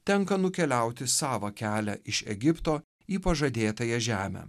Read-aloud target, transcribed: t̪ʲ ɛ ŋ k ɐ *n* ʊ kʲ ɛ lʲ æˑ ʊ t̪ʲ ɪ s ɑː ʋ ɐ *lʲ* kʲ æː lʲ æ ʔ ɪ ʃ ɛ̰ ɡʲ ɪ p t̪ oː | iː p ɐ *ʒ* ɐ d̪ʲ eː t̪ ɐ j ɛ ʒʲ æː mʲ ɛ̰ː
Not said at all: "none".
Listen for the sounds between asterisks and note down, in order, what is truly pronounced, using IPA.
n, none, ʒ

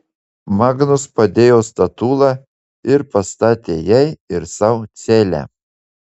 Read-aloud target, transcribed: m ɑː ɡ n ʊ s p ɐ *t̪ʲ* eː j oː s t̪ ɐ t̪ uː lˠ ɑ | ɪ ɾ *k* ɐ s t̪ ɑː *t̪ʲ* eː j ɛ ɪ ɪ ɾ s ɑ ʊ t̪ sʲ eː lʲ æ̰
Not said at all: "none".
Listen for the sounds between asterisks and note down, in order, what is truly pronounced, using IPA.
d̪ʲ, p, t̪ʲ

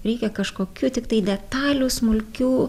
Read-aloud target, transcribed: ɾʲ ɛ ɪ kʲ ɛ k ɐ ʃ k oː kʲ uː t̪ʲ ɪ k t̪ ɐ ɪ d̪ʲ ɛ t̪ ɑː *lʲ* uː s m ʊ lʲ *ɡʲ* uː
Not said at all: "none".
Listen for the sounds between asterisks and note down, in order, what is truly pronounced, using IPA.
lʲ, kʲ

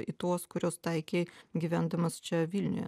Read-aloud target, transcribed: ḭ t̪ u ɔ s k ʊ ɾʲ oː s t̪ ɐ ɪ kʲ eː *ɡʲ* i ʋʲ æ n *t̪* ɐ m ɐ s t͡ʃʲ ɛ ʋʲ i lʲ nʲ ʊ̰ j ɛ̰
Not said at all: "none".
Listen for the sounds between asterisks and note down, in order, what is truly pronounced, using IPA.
ɡʲ, d̪

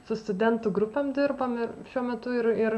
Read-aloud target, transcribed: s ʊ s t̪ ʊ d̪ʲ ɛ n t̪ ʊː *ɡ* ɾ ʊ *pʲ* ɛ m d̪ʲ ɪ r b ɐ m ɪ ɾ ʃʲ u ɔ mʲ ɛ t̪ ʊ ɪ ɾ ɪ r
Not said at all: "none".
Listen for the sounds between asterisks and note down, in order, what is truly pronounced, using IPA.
ɡ, pʲ

